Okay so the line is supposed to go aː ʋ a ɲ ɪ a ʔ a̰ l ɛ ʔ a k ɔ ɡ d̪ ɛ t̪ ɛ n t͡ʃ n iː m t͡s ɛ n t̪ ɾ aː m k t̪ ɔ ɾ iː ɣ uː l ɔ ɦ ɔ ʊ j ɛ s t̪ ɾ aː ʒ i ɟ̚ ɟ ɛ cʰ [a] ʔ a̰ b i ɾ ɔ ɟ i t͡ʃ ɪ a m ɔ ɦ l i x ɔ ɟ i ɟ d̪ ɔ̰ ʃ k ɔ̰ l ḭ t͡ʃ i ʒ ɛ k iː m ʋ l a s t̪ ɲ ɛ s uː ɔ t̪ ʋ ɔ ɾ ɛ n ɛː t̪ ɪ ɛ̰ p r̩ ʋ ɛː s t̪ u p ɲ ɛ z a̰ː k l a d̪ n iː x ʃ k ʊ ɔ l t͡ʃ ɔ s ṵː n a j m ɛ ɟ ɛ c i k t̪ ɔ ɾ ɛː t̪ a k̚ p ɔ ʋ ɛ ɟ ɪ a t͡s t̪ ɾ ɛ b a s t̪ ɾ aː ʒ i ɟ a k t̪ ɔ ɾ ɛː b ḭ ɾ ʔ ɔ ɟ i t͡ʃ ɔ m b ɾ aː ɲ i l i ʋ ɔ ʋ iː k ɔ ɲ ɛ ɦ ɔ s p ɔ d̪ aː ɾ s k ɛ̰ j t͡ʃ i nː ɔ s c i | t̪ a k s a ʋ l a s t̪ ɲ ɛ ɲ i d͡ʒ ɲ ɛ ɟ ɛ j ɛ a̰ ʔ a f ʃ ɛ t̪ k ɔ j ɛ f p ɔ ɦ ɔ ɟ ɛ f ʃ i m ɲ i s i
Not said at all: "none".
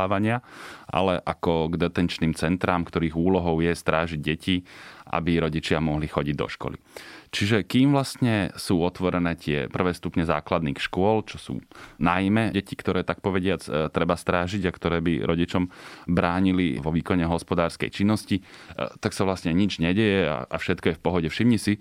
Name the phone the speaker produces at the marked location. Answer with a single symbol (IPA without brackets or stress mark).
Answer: i